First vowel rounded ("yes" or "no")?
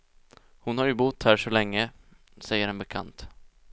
yes